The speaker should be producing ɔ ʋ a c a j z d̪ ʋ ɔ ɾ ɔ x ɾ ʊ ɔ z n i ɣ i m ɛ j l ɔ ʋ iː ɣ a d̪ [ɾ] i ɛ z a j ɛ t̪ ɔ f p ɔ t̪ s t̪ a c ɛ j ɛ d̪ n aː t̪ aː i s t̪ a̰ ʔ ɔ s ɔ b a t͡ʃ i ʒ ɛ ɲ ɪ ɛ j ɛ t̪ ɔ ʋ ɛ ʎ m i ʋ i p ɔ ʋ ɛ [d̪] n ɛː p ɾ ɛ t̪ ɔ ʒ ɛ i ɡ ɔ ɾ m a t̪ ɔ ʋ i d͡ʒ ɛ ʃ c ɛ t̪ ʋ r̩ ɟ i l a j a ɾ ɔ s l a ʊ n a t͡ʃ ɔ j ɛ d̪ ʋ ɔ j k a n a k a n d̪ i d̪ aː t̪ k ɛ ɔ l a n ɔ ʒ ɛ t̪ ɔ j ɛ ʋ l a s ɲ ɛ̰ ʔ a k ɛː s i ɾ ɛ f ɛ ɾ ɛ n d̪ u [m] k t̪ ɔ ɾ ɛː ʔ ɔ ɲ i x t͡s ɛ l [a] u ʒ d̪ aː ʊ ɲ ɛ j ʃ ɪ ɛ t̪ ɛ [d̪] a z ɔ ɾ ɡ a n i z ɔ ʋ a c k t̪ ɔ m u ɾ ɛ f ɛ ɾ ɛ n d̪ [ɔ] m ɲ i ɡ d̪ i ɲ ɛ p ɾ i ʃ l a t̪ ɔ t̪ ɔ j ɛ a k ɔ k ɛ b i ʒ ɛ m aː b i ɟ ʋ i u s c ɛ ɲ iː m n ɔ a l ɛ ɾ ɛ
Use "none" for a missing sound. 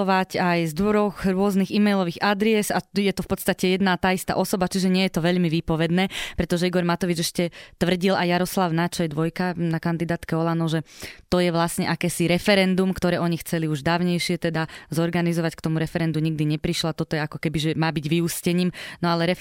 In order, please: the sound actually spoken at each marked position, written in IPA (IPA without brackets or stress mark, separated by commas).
ɾ, d̪, m, i, d̪, u